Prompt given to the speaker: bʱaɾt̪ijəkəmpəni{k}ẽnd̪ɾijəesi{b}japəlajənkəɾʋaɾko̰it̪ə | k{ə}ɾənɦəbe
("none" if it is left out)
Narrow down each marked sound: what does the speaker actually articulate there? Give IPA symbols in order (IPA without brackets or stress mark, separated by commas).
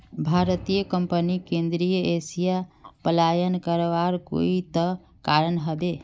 k, none, a